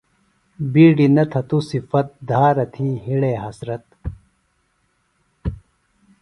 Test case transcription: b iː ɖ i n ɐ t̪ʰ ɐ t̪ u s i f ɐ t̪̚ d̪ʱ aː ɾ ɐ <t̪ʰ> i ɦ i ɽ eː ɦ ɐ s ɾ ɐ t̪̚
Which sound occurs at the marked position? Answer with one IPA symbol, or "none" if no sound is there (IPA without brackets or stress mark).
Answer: t̪ʰ